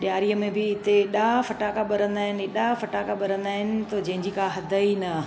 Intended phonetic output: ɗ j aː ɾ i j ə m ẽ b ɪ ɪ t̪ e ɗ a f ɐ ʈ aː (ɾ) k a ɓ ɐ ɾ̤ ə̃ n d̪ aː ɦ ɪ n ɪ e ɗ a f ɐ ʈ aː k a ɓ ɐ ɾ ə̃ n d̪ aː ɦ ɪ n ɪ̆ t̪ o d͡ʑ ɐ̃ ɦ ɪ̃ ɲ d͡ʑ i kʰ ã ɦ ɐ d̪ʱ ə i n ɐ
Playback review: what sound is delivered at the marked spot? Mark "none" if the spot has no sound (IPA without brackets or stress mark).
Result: none